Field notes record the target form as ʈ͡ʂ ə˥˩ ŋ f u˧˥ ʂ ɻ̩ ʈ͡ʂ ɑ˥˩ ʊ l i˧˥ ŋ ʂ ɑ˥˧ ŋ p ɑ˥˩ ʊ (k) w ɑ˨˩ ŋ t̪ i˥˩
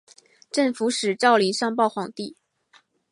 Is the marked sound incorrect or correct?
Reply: incorrect